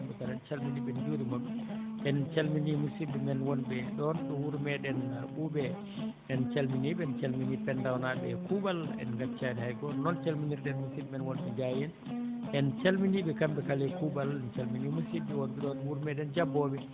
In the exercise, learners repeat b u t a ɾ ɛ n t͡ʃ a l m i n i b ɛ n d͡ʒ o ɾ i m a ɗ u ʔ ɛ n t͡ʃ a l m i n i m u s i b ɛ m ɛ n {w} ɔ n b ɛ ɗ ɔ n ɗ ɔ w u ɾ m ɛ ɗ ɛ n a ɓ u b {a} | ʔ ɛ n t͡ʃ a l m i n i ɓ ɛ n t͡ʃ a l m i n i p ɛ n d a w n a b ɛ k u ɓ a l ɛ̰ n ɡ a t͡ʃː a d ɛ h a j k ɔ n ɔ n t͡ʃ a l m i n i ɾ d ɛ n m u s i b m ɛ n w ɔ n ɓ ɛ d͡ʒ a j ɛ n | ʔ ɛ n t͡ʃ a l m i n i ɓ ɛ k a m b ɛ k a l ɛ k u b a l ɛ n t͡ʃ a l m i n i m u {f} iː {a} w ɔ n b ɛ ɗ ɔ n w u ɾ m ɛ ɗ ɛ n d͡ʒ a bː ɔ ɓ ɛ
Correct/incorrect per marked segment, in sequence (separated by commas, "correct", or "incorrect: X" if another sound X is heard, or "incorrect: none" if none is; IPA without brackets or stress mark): correct, incorrect: ɛ, incorrect: s, incorrect: ɛ